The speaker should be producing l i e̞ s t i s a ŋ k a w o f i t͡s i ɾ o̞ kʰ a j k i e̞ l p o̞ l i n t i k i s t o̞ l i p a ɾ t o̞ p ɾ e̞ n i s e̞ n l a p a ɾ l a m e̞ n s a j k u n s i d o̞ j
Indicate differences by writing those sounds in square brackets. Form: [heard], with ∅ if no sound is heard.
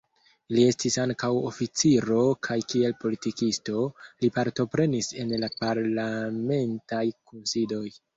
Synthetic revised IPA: l i e̞ s t i s a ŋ k a w o f i t͡s i ɾ o̞ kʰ a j k i e̞ l p o̞ l i [∅] t i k i s t o̞ l i p a ɾ t o̞ p ɾ e̞ n i s e̞ n l a p a ɾ l a m e̞ n [t] a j k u n s i d o̞ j

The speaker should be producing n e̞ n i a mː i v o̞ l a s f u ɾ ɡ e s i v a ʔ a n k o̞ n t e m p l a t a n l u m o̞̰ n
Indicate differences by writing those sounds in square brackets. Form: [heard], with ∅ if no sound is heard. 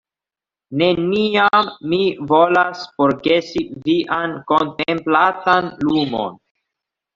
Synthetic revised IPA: n e̞ n i a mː i v o̞ l a s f [o] ɾ ɡ e s i v [i] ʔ a n k o̞ n t e m p l a t a n l u m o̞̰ n

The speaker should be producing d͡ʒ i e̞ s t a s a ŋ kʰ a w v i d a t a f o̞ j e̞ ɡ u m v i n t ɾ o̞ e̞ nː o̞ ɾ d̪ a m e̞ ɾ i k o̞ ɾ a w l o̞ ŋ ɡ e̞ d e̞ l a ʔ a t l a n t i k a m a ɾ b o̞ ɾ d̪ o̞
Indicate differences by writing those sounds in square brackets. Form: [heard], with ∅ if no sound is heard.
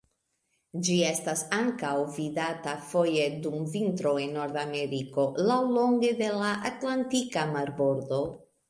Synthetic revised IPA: d͡ʒ i e̞ s t a s a ŋ [k] a w v i d a t a f o̞ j e̞ [d] u m v i n t ɾ o̞ e̞ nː o̞ ɾ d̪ a m e̞ ɾ i k o̞ [l] a w l o̞ ŋ ɡ e̞ d e̞ l a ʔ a t l a n t i k a m a ɾ b o̞ ɾ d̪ o̞

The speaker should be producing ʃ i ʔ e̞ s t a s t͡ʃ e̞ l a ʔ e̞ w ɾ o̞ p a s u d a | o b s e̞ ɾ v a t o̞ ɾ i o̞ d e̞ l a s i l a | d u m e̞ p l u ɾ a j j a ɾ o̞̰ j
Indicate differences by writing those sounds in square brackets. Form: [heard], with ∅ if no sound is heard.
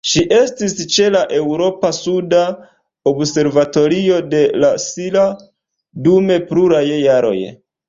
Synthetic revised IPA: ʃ i ʔ e̞ s t [i] s t͡ʃ e̞ l a ʔ e̞ w ɾ o̞ p a s u d a | o b s e̞ ɾ v a t o̞ ɾ i o̞ d e̞ l a s i l a | d u m e̞ p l u ɾ a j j a ɾ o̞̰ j

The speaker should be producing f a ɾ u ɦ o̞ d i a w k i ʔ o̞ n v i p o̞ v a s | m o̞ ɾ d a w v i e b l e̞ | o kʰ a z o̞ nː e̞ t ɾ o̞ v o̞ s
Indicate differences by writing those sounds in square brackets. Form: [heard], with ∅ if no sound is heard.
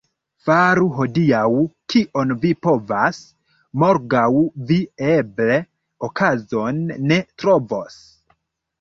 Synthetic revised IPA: f a ɾ u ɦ o̞ d i a w k i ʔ o̞ n v i p o̞ v a s | m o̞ ɾ [ɡ] a w v i e b l e̞ | o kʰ a z o̞ nː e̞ t ɾ o̞ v o̞ s

